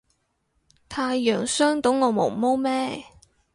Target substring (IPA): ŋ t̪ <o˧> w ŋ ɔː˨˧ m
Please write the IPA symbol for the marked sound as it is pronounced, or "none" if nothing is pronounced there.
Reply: o˨˥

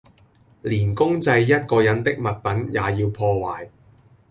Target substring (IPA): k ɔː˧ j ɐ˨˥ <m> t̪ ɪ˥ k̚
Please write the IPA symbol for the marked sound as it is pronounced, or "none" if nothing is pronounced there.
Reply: n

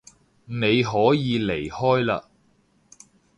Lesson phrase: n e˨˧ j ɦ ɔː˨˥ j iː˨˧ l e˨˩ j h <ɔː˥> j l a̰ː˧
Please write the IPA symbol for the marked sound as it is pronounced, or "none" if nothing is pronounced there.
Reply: ɔː˥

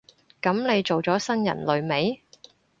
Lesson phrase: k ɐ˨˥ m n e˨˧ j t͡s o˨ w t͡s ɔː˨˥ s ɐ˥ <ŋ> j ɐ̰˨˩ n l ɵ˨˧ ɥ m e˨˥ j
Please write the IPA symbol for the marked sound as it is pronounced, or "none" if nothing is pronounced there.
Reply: n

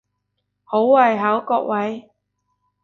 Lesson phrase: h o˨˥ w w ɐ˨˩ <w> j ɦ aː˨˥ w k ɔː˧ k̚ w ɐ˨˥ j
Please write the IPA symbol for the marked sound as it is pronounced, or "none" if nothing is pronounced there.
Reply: none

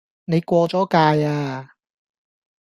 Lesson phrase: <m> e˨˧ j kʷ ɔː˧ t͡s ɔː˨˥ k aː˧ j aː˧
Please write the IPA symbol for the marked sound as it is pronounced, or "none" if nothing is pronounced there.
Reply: n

